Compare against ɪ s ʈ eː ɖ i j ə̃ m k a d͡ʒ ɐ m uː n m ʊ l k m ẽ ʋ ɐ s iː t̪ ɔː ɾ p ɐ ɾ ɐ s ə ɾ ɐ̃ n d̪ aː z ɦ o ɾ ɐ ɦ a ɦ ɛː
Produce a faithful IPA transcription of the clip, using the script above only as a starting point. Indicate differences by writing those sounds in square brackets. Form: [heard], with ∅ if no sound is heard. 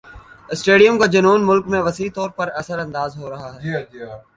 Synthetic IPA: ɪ s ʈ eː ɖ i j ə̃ m k a d͡ʒ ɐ [n] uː n m ʊ l k m ẽ ʋ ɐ s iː t̪ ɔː ɾ p ɐ ɾ ɐ s ə ɾ ɐ̃ n d̪ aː z ɦ o ɾ ɐ ɦ a ɦ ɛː